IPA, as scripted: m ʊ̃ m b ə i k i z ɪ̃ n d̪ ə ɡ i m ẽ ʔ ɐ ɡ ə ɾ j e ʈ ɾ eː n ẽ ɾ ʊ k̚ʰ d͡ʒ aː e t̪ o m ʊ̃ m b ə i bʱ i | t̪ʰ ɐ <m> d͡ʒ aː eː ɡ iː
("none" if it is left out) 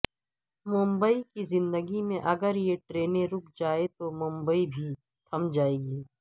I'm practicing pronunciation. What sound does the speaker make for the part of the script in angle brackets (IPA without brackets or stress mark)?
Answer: m